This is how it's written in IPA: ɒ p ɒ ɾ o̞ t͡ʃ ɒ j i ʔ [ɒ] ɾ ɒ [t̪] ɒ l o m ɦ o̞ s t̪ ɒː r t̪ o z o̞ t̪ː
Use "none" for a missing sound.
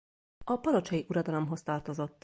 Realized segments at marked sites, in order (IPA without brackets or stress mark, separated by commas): u, d̪